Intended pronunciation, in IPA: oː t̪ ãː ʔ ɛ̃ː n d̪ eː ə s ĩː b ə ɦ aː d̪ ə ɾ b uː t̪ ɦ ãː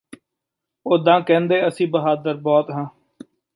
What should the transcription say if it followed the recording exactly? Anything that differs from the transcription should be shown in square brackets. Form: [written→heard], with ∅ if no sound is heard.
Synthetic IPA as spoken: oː [t̪→d̪] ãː [ʔ→k] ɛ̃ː n d̪ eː ə s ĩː b ə ɦ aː d̪ ə ɾ b [uː→ɔː] t̪ ɦ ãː